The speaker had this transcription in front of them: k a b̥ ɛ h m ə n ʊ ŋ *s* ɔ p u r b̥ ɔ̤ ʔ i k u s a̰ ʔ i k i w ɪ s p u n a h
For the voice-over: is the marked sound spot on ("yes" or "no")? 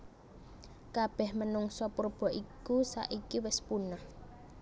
yes